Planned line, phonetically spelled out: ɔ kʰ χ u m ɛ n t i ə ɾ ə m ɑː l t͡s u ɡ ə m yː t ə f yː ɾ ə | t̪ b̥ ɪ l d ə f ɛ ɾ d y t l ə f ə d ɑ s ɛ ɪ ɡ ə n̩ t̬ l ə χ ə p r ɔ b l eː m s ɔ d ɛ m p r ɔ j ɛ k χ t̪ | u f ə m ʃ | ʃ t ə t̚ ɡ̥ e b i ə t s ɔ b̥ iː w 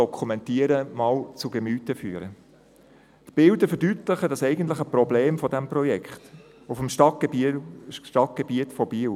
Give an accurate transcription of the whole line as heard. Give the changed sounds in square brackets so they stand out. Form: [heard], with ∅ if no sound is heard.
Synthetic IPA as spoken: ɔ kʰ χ u m ɛ n t i ə ɾ ə m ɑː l t͡s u ɡ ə m yː t ə f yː ɾ ə | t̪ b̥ ɪ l d ə f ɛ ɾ d y t l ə [χ] ə d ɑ s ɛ ɪ ɡ ə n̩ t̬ l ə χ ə p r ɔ b l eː m [f] ɔ d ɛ m p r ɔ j ɛ k χ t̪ | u f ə m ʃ | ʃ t [ɑ] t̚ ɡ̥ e b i ə t [f] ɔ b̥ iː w